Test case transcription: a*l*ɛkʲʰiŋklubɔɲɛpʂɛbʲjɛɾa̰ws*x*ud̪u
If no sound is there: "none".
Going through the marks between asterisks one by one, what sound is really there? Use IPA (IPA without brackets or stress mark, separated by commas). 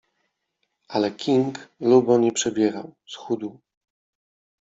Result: l, x